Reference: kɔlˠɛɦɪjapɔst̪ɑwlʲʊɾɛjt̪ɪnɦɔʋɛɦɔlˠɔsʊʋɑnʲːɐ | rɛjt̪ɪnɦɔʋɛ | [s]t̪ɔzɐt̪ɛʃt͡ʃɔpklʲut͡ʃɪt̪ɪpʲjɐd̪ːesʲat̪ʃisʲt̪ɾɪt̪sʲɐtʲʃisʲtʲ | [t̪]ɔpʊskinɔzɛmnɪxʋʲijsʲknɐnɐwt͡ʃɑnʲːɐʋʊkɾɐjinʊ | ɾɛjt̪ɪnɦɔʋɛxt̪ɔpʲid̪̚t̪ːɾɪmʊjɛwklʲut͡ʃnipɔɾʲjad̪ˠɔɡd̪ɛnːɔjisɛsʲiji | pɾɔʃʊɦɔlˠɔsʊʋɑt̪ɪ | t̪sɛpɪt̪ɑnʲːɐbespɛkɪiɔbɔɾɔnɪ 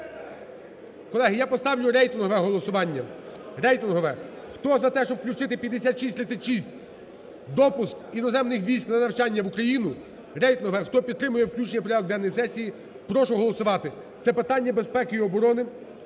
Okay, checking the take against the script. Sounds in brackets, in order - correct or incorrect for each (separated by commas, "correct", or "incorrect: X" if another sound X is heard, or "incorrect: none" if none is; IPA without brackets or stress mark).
incorrect: x, incorrect: d̪